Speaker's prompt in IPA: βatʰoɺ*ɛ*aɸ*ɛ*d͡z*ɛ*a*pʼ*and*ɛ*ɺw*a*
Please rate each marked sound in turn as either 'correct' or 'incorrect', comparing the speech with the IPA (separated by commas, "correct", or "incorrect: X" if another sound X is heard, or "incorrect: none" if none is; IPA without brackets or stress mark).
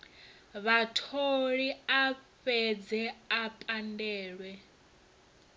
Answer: incorrect: i, correct, correct, correct, incorrect: ɛː, incorrect: ɛ